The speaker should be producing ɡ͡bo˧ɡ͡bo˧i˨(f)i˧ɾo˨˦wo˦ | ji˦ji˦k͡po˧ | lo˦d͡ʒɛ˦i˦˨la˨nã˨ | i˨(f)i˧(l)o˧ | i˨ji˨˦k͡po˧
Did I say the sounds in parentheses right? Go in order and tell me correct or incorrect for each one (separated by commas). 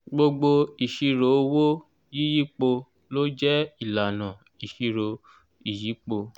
incorrect, incorrect, incorrect